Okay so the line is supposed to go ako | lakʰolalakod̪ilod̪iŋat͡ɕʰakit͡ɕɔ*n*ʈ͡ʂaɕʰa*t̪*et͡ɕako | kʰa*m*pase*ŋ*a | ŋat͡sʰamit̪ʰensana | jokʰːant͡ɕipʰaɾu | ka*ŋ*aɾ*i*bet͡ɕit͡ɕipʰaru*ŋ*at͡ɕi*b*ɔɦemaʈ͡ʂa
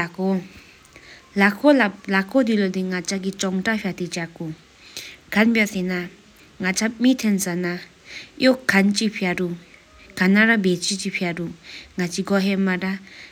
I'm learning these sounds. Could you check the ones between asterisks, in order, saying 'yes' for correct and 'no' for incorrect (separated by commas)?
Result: no, yes, no, no, no, no, yes, no